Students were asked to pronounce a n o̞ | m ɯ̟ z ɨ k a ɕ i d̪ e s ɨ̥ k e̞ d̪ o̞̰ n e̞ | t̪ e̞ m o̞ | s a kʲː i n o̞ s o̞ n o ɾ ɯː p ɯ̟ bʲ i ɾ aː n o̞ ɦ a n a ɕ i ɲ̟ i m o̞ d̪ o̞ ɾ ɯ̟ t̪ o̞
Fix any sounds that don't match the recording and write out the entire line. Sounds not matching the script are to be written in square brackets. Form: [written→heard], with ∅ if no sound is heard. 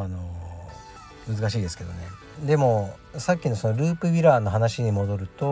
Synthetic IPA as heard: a n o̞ | m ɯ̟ z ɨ k a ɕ [i→iː] d̪ e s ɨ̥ k e̞ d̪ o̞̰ n e̞ | [t̪→d̪] e̞ m o̞ | s a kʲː i n o̞ s o̞ n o ɾ ɯː p ɯ̟ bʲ i ɾ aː n o̞ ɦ a n a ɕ i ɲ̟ i m o̞ d̪ o̞ ɾ ɯ̟ t̪ o̞